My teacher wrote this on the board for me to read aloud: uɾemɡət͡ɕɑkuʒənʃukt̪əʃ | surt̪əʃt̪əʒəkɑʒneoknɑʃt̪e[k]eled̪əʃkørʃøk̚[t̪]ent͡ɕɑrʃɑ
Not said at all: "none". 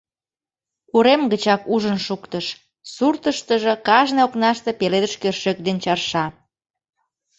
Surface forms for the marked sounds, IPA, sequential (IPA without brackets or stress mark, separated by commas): p, d̪